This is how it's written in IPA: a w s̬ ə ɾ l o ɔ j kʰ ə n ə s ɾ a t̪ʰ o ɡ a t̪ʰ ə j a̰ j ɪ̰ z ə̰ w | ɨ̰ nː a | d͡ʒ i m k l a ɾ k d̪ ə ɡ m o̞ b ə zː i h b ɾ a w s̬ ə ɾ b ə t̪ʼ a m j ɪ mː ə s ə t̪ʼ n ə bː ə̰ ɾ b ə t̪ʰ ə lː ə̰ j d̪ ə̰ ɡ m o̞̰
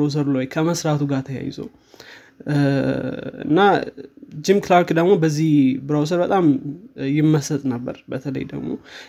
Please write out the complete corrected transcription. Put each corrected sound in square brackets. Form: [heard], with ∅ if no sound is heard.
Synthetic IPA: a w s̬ ə ɾ l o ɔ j kʰ ə [m] ə s ɾ a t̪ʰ [u] ɡ a t̪ʰ ə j a̰ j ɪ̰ z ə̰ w | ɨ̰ nː a | d͡ʒ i m k l a ɾ k d̪ ə ɡ m o̞ b ə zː i h b ɾ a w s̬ ə ɾ b ə t̪ʼ a m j ɪ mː ə s ə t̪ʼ n ə bː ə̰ ɾ b ə t̪ʰ ə [l] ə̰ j d̪ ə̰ ɡ m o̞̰